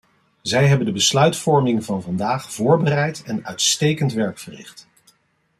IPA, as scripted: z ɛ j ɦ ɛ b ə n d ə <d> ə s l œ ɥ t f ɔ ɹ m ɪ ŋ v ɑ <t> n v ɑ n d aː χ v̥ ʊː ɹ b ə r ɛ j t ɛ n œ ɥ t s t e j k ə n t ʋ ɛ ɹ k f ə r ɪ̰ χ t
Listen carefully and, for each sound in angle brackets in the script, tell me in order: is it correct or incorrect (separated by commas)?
incorrect, incorrect